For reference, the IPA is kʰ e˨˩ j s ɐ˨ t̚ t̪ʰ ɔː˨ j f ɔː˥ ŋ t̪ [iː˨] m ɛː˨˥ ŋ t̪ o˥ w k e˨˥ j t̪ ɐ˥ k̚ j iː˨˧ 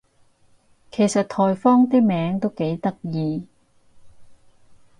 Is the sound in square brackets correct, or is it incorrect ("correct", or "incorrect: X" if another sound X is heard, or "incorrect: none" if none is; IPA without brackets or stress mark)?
incorrect: iː˥